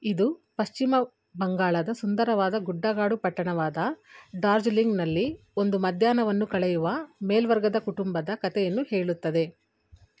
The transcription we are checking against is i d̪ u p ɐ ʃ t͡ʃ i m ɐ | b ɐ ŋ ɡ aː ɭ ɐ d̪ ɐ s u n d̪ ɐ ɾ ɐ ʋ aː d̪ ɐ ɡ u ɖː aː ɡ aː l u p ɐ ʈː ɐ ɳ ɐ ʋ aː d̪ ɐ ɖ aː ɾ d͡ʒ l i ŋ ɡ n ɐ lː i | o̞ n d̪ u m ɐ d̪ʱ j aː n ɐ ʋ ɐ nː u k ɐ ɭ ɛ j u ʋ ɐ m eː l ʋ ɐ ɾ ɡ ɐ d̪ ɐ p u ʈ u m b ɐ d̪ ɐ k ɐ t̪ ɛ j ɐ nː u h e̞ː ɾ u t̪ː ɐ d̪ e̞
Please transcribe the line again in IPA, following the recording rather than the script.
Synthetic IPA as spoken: i d̪ u p ɐ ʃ t͡ʃ i m ɐ | b ɐ ŋ ɡ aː ɭ ɐ d̪ ɐ s u n d̪ ɐ ɾ ɐ ʋ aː d̪ ɐ ɡ u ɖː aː ɡ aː ɽ u p ɐ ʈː ɐ ɳ ɐ ʋ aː d̪ ɐ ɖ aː ɾ d͡ʒ l i ŋ ɡ n ɐ lː i | o̞ n d̪ u m ɐ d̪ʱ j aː n ɐ ʋ ɐ nː u k ɐ ɭ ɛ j u ʋ ɐ m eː l ʋ ɐ ɾ ɡ ɐ d̪ ɐ k u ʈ u m b ɐ d̪ ɐ k ɐ t̪ ɛ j ɐ nː u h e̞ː ɭ u t̪ː ɐ d̪ e̞